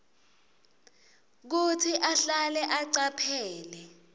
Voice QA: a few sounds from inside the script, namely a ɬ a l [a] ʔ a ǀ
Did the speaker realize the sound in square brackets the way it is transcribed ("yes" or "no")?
no